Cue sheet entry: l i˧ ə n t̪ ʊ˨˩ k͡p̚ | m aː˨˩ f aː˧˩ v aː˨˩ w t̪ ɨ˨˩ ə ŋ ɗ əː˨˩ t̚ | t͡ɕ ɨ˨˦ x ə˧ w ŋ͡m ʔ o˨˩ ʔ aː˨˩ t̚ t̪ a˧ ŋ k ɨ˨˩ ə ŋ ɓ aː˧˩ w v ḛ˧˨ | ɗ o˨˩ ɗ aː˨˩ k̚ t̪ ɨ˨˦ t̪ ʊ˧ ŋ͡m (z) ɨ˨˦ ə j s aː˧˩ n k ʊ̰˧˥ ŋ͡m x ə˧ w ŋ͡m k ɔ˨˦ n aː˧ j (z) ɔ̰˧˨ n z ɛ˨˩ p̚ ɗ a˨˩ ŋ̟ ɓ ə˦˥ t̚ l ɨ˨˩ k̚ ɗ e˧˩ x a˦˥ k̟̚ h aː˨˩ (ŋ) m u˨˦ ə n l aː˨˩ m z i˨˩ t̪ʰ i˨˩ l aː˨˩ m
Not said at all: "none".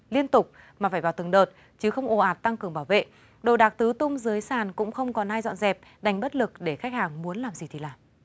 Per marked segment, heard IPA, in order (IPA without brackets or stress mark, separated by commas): z, z, ŋ